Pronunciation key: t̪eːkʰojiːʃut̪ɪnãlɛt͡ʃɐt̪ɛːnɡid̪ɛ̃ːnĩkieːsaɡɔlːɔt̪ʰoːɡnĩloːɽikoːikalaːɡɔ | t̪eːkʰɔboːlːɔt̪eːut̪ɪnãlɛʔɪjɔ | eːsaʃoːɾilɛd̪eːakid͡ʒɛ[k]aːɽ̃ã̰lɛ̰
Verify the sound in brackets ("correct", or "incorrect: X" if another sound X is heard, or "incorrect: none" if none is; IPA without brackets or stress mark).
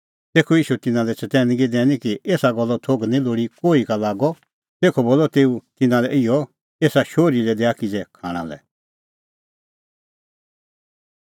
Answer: incorrect: kʰ